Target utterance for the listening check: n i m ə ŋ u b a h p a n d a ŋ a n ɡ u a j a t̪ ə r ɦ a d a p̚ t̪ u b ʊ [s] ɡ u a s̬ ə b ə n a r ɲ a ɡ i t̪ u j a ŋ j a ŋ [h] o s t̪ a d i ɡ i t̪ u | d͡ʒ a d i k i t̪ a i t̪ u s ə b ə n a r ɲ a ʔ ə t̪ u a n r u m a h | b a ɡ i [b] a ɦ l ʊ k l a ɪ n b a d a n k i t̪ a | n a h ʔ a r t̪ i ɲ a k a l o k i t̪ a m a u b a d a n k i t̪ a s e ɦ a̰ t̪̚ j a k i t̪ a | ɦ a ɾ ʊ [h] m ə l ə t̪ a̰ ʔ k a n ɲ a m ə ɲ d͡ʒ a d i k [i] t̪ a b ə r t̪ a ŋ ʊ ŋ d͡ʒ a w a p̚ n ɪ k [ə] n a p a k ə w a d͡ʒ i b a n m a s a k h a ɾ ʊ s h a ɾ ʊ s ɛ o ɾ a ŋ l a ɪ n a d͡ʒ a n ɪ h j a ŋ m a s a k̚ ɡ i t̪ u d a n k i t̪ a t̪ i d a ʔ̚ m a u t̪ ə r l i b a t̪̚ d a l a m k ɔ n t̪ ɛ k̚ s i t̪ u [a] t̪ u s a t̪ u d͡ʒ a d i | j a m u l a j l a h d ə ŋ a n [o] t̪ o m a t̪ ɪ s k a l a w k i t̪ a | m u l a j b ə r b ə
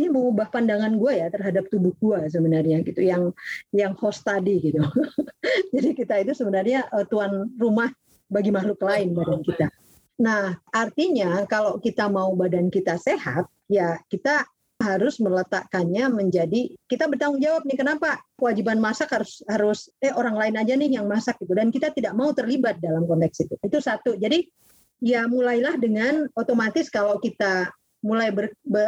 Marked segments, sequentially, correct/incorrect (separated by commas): incorrect, correct, incorrect, incorrect, correct, correct, incorrect, correct